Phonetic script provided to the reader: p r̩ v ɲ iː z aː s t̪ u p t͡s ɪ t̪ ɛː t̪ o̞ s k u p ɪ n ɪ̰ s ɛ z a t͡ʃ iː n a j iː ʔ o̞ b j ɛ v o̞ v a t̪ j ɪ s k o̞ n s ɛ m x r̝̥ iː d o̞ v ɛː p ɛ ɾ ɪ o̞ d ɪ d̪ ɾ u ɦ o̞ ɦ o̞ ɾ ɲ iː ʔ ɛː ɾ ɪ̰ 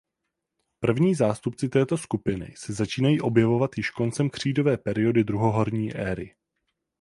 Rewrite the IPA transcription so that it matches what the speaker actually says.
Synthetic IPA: p r̩ v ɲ iː z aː s t̪ u p t͡s ɪ t̪ ɛː t̪ o̞ s k u p ɪ n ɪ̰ s ɛ z a t͡ʃ iː n a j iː ʔ o̞ b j ɛ v o̞ v a t̪ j ɪ ʃ k o̞ n t͡s ɛ m k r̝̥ iː d o̞ v ɛː p ɛ ɾ ɪ o̞ d ɪ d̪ ɾ u ɦ o̞ ɦ o̞ ɾ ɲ iː ʔ ɛː ɾ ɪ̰